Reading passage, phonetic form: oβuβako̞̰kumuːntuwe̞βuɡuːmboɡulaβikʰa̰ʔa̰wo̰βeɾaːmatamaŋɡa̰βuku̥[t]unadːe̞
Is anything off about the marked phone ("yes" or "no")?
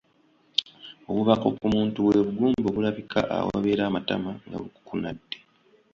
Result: yes